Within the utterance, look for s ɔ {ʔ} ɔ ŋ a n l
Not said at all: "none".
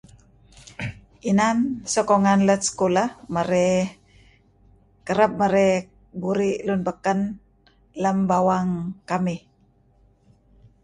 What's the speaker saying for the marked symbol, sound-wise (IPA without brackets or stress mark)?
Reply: k